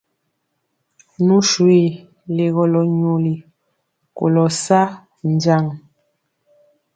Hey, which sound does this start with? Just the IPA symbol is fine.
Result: n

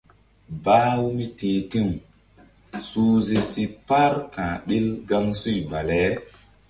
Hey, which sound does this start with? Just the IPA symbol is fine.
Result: b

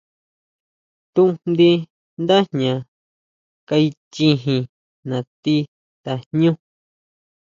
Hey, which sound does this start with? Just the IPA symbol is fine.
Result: t̪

